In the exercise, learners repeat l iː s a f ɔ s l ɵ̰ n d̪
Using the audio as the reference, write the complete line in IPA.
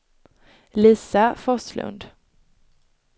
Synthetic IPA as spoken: l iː s a f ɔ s l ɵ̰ n d̪